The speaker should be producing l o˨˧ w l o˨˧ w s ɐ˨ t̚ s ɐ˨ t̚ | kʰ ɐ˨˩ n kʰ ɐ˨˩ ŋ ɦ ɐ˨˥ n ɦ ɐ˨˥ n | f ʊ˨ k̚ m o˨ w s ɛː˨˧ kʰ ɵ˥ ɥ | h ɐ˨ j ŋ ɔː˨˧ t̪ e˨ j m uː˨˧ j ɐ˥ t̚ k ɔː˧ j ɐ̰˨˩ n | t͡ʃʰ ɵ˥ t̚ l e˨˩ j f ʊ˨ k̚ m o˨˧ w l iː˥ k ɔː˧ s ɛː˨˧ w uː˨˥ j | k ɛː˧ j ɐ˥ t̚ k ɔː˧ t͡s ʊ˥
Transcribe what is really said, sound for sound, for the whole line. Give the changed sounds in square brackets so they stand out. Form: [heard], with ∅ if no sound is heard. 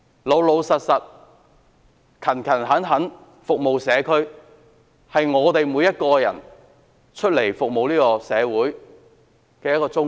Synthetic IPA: l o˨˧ w l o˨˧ w s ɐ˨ t̚ s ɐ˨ t̚ | kʰ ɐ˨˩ n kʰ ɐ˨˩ [n] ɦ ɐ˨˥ n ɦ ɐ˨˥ n | f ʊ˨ k̚ m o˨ w s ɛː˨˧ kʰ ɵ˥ ɥ | h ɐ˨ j ŋ ɔː˨˧ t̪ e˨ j m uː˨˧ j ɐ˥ t̚ k ɔː˧ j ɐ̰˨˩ n | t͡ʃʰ ɵ˥ t̚ l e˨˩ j f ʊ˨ k̚ m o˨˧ w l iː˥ k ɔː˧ s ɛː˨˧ w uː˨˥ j | k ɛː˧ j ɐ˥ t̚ k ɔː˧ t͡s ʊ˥